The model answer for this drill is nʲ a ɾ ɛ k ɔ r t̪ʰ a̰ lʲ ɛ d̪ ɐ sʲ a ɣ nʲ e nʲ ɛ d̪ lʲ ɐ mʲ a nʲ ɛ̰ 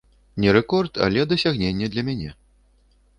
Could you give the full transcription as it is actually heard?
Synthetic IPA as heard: nʲ ɛ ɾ ɛ k ɔ r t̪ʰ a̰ lʲ ɛ d̪ ɐ sʲ a ɣ nʲ e nʲː ɛ d̪ lʲ ɐ mʲ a nʲ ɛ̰